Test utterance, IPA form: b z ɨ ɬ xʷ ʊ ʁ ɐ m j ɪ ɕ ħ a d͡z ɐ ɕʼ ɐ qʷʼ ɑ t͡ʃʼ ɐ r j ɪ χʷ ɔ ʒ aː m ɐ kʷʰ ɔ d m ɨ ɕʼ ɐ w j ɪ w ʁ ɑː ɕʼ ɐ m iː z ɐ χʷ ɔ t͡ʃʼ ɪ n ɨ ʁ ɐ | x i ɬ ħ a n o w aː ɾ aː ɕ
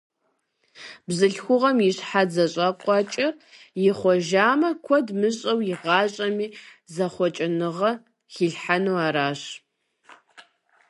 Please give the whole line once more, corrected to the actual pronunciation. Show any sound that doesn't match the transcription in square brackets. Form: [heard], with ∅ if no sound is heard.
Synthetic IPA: b z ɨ ɬ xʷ ʊ ʁ ɐ m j ɪ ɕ ħ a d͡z ɐ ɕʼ ɐ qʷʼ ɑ t͡ʃʼ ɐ r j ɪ χʷ ɔ ʒ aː m ɐ kʷʰ ɔ d m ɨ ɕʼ ɐ w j ɪ [∅] ʁ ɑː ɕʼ ɐ m iː z ɐ χʷ ɔ t͡ʃʼ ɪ n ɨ ʁ ɐ | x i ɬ ħ a n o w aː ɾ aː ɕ